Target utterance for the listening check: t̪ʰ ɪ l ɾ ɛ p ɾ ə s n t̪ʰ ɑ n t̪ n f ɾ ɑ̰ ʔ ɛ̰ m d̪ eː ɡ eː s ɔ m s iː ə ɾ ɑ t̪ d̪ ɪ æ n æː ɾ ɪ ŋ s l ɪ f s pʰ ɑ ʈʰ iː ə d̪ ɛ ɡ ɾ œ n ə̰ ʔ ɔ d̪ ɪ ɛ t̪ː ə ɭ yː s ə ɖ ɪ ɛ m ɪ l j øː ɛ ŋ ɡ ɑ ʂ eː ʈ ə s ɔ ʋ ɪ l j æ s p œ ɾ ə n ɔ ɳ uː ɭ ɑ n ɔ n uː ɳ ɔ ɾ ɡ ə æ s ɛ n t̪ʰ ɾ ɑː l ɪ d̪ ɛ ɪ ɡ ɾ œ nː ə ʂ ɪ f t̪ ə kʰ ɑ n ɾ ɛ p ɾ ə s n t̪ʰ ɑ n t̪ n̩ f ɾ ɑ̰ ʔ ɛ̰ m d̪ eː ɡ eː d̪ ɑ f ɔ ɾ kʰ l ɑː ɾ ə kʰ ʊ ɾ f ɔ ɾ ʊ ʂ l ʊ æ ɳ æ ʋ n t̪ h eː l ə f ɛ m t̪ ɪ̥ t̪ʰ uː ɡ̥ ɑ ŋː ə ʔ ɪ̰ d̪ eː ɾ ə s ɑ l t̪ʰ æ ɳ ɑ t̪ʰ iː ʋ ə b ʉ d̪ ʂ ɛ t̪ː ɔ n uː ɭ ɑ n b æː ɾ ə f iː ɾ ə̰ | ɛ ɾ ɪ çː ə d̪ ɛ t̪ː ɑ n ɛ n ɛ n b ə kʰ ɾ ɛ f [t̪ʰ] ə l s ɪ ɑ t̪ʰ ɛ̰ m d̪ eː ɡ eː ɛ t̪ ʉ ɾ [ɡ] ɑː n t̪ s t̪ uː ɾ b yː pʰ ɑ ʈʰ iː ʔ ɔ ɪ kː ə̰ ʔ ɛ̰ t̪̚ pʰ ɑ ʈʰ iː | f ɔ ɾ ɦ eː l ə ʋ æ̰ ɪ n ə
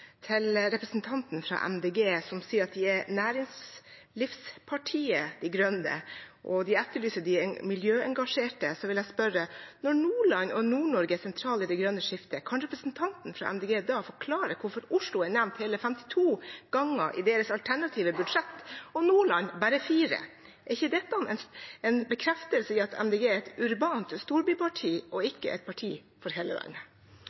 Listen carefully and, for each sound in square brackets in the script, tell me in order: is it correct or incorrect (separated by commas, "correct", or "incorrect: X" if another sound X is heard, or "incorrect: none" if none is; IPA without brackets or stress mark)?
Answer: incorrect: t̪, incorrect: b